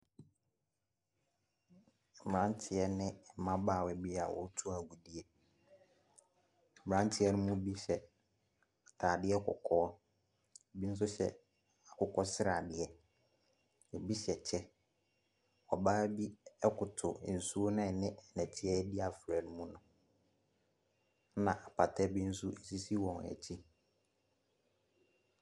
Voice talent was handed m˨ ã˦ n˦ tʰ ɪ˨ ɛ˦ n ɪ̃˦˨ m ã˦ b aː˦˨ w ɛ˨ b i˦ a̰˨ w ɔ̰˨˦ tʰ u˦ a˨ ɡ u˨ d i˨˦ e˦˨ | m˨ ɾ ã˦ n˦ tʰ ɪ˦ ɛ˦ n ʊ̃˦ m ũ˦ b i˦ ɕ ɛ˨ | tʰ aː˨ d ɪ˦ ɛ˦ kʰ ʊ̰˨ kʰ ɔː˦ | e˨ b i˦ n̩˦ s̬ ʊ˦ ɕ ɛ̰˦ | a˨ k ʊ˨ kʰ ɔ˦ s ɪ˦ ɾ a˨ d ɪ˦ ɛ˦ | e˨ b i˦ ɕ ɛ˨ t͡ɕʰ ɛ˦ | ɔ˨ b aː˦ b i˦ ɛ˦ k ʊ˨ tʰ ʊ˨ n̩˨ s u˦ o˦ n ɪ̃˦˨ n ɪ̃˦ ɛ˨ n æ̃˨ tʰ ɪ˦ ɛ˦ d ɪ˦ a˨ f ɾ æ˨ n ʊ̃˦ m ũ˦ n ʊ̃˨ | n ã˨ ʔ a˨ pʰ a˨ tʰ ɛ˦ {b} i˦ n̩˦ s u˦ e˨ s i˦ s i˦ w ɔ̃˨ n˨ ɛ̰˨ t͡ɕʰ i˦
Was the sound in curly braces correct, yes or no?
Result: yes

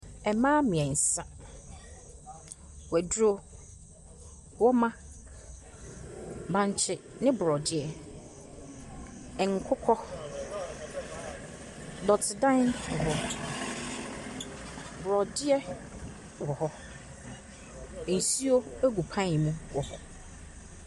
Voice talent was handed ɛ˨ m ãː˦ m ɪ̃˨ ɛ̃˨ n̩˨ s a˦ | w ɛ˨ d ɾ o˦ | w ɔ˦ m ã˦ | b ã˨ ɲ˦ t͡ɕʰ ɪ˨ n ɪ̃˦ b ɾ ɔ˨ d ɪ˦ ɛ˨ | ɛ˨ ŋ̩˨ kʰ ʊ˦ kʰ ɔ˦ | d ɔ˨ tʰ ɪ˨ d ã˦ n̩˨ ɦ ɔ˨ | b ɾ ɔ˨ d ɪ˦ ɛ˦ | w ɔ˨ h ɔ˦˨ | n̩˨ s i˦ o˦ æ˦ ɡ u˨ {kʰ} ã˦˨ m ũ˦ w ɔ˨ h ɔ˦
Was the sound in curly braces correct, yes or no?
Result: no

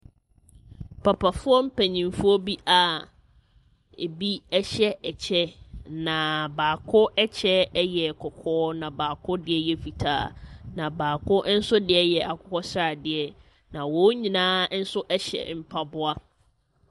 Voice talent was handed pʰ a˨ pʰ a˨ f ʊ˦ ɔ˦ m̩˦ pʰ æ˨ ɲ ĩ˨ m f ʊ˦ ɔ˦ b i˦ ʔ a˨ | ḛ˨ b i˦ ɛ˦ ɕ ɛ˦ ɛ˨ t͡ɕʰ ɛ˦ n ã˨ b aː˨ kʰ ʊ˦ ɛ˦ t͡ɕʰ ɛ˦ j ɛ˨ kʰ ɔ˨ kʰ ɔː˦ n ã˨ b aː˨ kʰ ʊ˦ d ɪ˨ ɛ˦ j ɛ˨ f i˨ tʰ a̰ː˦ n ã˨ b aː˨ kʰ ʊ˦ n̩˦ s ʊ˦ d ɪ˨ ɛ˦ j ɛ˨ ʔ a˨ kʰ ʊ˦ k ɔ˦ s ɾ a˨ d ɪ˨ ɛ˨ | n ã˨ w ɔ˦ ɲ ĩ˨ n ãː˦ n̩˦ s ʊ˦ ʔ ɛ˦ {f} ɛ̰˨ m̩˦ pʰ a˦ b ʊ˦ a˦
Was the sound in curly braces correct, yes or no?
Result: no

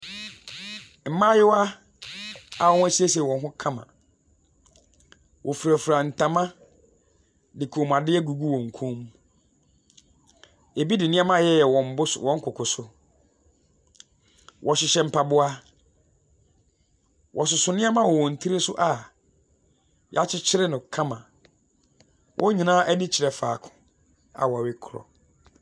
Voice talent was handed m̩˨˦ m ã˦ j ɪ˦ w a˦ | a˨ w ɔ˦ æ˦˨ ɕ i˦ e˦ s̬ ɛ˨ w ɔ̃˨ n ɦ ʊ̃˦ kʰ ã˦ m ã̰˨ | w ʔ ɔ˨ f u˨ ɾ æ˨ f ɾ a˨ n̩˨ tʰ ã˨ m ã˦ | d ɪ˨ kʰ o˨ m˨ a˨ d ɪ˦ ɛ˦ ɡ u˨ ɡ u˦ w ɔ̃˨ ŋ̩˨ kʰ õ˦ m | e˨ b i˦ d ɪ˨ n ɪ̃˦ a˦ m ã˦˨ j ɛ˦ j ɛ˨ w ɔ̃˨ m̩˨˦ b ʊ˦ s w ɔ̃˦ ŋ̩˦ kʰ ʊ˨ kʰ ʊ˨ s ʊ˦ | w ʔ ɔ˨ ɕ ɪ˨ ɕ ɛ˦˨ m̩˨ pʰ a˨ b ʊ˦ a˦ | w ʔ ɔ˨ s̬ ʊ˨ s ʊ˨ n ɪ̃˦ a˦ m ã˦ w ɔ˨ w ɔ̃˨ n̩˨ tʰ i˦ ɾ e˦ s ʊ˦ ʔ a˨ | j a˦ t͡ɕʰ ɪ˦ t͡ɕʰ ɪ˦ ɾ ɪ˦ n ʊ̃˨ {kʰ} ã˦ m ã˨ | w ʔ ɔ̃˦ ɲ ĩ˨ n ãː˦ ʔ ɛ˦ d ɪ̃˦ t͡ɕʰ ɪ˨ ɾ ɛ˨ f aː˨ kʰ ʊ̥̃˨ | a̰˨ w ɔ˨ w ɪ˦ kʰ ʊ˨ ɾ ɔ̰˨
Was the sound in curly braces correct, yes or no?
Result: yes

